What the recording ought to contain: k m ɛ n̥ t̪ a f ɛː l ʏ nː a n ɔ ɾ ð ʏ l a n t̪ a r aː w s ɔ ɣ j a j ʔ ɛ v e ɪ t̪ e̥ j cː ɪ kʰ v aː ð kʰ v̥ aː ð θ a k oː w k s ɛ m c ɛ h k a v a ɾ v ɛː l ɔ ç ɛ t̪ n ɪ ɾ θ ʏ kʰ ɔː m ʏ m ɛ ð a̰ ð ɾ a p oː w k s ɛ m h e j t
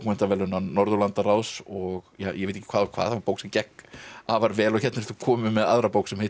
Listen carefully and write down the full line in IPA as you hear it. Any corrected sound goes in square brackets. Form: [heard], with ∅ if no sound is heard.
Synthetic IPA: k m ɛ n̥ t̪ a [v] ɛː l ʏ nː a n ɔ ɾ ð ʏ l a n t̪ a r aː w s ɔ ɣ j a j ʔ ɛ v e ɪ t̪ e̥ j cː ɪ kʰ v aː ð kʰ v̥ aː ð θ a [p] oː w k s ɛ m c ɛ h k a v a ɾ v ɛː l ɔ ç ɛ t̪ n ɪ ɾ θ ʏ kʰ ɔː m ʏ m ɛ ð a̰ ð ɾ a p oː w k s ɛ m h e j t